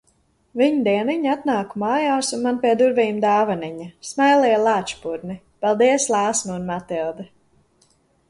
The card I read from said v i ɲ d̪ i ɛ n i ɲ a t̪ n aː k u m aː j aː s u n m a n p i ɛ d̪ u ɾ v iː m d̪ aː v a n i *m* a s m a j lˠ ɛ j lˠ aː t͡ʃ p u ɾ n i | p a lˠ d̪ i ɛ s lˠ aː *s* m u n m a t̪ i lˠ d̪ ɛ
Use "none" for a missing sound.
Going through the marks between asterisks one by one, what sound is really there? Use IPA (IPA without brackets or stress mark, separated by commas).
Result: ɲ, s